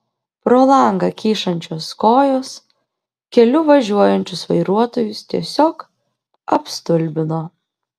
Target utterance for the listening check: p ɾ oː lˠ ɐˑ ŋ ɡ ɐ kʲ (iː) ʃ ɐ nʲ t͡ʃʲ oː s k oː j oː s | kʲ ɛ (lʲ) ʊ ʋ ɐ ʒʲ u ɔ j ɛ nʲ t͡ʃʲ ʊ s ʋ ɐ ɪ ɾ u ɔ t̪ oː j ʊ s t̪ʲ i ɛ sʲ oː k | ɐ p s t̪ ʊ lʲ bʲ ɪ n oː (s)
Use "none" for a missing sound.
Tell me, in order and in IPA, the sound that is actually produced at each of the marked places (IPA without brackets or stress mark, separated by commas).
iː, lʲ, none